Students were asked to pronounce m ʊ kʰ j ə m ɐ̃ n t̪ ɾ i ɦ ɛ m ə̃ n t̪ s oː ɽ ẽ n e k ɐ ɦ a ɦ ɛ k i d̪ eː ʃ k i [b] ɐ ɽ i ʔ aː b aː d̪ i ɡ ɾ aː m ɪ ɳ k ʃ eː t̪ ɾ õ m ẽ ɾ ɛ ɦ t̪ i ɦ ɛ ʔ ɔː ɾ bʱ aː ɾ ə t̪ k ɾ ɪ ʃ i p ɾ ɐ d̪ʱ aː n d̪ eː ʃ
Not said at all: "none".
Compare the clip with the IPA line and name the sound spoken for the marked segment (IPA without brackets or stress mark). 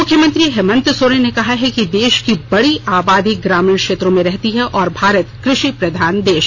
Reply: b